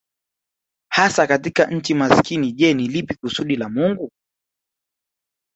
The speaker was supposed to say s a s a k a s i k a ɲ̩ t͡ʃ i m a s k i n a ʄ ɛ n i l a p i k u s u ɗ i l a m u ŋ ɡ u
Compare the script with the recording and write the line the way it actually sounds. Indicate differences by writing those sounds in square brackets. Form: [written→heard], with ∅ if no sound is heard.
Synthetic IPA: [s→h] a s a k a [s→t] i k a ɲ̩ t͡ʃ i m a s k i n [a→i] ʄ ɛ n i l [a→i] p i k u s u ɗ i l a m u ŋ ɡ u